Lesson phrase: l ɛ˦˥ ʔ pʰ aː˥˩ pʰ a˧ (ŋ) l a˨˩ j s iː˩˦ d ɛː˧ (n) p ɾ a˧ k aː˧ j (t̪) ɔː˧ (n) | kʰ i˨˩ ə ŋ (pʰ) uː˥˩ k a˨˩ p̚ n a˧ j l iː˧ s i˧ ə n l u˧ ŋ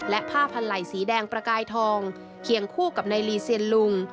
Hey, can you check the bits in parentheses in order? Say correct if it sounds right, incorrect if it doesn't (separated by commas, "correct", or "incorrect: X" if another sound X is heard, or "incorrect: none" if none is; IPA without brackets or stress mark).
incorrect: n, incorrect: ŋ, incorrect: t̪ʰ, incorrect: ŋ, incorrect: kʰ